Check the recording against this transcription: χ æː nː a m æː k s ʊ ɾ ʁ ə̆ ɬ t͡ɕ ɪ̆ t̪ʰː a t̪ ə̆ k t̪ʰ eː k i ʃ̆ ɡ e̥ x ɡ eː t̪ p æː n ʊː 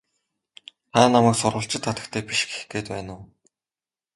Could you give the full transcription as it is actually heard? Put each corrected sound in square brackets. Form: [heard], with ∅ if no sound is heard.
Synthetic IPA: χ æː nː a m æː k s ʊ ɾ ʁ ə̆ ɬ t͡ɕ ɪ̆ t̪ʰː a t̪ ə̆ k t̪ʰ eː [p] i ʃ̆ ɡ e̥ x ɡ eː t̪ p æː n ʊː